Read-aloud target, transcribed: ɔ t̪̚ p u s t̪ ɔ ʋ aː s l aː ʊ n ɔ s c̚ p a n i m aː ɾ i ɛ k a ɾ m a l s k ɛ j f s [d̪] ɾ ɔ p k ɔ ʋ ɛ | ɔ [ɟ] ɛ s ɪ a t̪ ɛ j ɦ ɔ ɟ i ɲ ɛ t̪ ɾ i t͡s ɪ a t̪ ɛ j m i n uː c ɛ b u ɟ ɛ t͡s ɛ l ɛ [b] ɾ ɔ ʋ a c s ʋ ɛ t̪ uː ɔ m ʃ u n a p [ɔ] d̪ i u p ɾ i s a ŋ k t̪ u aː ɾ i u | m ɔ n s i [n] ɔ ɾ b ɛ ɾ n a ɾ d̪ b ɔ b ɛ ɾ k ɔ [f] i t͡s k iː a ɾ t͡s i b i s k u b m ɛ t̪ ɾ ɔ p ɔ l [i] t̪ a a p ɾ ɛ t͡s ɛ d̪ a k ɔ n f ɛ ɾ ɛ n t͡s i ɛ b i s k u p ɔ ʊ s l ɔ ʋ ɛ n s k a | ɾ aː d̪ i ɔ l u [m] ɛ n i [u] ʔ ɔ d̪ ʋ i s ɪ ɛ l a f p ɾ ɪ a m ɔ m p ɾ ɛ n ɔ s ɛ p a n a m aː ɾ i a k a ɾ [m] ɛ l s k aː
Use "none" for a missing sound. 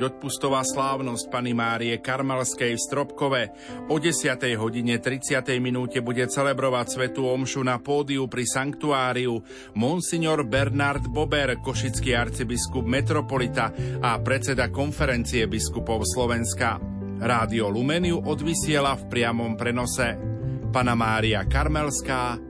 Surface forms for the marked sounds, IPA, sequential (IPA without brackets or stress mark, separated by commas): t̪, ɟ, b, ɔː, ɲ, ʃ, i, m, u, m